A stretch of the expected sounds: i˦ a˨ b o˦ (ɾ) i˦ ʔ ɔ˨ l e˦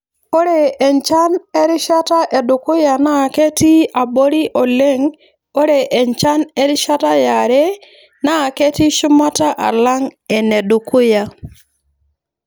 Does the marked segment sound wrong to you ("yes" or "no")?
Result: no